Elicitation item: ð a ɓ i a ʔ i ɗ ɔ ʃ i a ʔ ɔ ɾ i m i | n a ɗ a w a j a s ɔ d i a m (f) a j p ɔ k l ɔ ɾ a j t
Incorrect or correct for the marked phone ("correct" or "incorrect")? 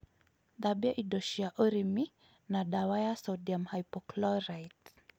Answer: incorrect